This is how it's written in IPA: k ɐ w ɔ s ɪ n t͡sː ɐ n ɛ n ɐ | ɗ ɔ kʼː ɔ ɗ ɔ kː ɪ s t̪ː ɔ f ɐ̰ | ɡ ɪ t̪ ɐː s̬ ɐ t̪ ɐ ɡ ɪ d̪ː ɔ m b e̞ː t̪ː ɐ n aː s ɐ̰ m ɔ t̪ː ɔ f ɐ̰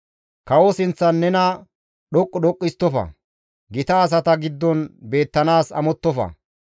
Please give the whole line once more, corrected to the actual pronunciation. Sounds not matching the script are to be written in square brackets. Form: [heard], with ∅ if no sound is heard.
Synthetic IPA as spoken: k ɐ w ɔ s ɪ n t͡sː ɐ [nː] ɛ n ɐ | ɗ ɔ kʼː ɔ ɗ ɔ [kʼː] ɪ s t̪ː ɔ f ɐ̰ | ɡ ɪ t̪ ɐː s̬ ɐ t̪ ɐ ɡ ɪ d̪ː ɔ [n] b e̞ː t̪ː ɐ n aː s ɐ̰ m ɔ t̪ː ɔ f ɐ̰